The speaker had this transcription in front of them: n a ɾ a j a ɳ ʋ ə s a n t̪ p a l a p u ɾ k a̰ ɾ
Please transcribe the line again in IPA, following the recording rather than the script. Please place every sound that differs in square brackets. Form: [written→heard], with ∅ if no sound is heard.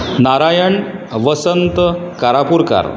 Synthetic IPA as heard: n a ɾ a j [a→ə] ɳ ʋ ə s [a→ə] n t̪ [p→k] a [l→ɾ] a p u ɾ k a̰ ɾ